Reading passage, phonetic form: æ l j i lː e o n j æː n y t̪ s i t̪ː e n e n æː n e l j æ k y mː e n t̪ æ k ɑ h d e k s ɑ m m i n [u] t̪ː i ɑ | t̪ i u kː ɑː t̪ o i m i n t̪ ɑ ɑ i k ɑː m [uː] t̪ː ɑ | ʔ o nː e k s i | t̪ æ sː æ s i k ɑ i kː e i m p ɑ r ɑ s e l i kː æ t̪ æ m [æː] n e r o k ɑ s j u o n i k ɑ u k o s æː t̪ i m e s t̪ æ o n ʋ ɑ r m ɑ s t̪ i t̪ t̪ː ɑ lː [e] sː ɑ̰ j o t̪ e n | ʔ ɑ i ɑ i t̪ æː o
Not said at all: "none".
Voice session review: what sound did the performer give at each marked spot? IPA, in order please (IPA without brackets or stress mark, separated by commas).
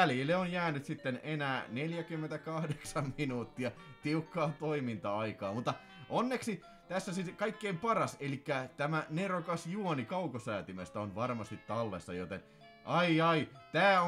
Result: uː, u, æ, e